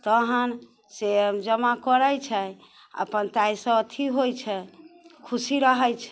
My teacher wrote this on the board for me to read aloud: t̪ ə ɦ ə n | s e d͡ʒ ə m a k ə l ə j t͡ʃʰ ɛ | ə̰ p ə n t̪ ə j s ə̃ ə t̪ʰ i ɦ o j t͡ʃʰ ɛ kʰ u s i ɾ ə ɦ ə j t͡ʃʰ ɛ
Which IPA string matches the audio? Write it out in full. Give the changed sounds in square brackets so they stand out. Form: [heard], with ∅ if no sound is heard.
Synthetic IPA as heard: t̪ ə ɦ ə n | s e d͡ʒ ə m a k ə [ɾ] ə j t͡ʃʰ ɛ | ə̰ p ə n t̪ [a] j s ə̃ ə t̪ʰ i ɦ o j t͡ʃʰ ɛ kʰ u s i ɾ ə ɦ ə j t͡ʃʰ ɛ